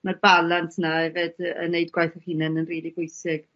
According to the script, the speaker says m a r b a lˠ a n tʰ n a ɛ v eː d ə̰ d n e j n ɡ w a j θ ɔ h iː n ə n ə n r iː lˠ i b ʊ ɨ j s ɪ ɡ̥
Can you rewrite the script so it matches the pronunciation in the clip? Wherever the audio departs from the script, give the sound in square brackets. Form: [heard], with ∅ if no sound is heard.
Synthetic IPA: m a r b a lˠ a n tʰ n a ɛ v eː d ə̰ [∅] n e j [d] ɡ w a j θ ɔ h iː n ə n ə n r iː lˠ i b ʊ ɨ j s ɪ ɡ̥